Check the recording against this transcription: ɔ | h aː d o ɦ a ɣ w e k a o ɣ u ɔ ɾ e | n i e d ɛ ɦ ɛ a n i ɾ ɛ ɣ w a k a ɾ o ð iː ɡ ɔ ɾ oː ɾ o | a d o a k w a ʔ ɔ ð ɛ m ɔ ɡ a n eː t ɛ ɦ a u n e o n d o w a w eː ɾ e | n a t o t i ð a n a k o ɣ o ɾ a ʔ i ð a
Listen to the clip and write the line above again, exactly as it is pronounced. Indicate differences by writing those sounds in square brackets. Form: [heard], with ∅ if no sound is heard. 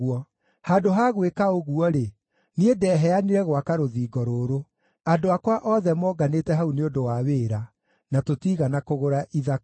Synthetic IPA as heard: ɔ | h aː d o ɦ a ɣ w e k a o ɣ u ɔ ɾ e | n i e d ɛ ɦ ɛ a n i ɾ ɛ ɣ w a k a ɾ o ð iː ɡ ɔ ɾ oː ɾ o | a d o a k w a ʔ ɔ ð ɛ m ɔ ɡ a n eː t ɛ ɦ a u n e o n d o w a w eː ɾ [a] | n a t o t i [ɣ] a n a k o ɣ o ɾ a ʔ i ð a